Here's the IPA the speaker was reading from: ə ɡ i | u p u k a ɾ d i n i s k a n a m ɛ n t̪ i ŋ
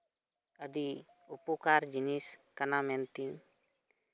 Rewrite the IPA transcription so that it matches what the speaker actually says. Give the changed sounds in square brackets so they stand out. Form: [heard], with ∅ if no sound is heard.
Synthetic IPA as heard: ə [d] i | u p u k a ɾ [d͡ʒ] i n i s k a n a m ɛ n t̪ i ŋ